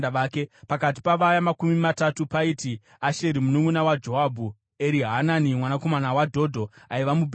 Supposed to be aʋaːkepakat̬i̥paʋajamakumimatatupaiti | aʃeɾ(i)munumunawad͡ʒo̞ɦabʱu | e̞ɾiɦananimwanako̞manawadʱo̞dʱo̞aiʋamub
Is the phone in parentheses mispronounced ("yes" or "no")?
no